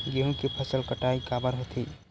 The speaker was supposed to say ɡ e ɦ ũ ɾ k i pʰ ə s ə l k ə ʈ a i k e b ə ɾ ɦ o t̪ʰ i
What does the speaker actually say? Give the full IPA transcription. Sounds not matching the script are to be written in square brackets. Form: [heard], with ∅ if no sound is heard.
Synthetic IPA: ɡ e ɦ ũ [∅] k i pʰ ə s ə l k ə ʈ a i k [a] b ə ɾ ɦ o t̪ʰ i